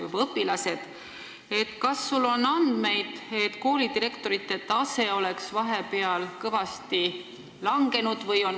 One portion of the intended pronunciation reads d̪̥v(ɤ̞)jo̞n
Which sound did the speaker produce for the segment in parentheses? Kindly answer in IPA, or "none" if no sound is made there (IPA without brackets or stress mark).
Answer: ɤ̞